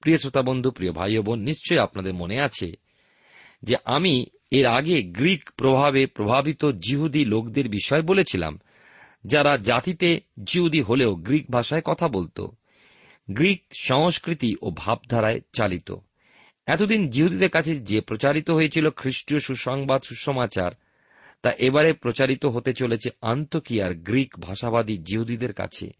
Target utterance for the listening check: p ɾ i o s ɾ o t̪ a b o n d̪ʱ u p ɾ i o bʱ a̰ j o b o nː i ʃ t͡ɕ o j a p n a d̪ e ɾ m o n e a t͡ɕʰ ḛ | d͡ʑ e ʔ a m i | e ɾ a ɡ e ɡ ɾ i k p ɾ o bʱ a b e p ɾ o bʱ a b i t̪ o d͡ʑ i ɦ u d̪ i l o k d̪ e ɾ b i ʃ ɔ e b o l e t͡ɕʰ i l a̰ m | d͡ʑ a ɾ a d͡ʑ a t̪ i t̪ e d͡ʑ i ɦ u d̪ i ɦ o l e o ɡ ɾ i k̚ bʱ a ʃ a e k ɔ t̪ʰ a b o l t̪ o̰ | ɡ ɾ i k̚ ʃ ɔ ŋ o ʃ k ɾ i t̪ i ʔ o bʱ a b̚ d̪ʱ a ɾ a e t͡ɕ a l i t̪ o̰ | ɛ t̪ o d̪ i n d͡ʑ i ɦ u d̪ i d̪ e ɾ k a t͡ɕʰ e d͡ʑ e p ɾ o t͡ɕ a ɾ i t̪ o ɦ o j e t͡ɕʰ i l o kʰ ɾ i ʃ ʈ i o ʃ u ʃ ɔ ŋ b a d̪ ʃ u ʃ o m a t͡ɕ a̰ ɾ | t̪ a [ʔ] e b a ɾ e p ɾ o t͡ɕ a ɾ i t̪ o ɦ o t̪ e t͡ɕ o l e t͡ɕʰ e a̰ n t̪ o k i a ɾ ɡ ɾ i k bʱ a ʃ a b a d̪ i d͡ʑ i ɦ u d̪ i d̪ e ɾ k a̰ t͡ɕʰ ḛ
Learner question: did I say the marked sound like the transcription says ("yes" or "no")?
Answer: yes